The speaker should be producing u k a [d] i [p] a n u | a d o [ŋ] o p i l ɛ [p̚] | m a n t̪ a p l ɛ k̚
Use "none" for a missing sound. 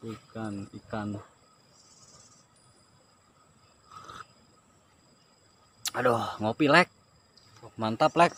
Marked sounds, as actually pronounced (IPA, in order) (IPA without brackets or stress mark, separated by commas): n, k, ŋ, k̚